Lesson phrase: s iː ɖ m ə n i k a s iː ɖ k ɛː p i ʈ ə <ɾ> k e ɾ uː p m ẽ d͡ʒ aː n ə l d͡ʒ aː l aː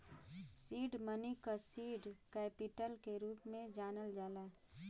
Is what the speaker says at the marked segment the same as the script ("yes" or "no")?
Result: no